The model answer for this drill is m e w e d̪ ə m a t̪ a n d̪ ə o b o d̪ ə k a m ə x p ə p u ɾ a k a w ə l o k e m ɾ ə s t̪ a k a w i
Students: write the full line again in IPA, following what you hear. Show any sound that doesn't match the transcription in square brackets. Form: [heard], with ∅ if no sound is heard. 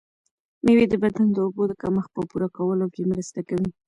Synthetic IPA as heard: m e w e d̪ ə [b] a [d̪] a n d̪ ə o b o d̪ ə k a m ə x p ə p u ɾ a k a w ə l o k e m ɾ ə s t̪ a k a w i